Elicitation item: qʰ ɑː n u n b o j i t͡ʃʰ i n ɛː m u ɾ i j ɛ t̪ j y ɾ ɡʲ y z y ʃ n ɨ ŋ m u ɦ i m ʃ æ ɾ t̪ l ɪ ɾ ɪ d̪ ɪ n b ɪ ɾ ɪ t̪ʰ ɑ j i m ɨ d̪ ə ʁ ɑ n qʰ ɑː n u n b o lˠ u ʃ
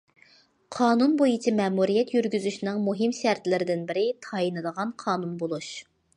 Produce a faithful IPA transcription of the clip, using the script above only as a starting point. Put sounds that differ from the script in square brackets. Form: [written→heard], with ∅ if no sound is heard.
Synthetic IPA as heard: qʰ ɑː n u n b o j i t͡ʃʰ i [n→m] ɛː m u ɾ i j ɛ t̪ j y ɾ ɡʲ y z y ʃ n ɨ ŋ m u ɦ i m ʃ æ ɾ t̪ l ɪ ɾ ɪ d̪ ɪ n b ɪ ɾ ɪ t̪ʰ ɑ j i [m→n] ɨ d̪ ə ʁ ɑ n qʰ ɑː n u n b o lˠ u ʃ